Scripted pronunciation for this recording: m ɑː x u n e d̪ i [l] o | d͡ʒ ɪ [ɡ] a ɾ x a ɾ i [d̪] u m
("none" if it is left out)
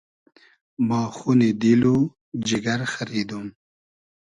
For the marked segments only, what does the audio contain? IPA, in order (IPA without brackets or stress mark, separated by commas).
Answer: l, ɡ, d̪